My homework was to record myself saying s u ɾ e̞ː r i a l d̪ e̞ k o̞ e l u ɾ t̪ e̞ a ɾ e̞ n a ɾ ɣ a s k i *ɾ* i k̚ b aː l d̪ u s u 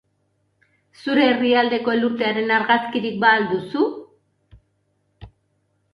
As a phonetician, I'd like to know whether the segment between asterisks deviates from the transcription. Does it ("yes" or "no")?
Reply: no